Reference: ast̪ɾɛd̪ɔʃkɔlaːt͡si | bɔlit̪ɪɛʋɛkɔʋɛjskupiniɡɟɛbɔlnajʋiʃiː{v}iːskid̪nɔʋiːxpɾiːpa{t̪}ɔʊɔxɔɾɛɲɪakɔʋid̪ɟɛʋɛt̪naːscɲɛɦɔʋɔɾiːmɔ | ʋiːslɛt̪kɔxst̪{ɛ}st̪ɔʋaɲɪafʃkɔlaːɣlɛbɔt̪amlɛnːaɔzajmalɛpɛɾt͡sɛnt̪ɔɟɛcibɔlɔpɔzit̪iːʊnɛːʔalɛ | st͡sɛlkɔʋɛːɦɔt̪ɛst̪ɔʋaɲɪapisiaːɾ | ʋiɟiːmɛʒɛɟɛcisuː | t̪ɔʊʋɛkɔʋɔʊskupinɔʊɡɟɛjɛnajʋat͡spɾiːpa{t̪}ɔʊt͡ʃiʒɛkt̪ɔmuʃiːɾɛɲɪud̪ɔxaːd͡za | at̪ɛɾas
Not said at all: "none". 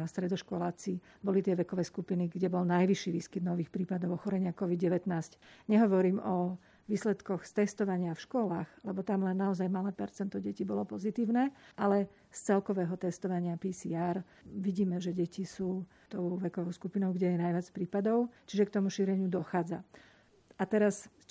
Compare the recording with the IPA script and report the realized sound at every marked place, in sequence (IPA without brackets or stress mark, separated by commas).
ʋ, d̪, ɛ, d̪